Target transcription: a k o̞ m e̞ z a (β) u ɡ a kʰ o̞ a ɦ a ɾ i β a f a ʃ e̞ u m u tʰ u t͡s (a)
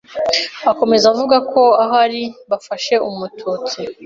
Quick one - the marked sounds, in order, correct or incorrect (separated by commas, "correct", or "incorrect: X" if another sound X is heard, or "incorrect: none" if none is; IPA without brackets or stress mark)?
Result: incorrect: v, incorrect: i